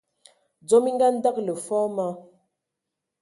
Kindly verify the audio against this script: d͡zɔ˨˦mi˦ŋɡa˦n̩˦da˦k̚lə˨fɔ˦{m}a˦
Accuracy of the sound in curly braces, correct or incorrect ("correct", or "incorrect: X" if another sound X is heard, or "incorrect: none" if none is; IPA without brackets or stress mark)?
correct